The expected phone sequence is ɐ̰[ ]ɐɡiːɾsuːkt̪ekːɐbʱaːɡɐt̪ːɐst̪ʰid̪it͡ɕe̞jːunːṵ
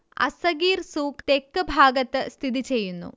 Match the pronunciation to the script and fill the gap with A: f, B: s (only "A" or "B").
B